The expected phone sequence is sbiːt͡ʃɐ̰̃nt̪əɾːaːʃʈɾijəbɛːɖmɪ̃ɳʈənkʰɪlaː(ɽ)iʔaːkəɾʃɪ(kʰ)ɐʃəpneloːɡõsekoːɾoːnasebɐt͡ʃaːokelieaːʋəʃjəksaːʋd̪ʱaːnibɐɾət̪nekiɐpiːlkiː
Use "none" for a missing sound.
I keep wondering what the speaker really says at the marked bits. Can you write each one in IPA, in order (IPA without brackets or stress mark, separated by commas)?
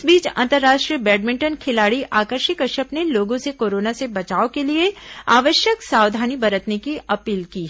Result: ɽ, k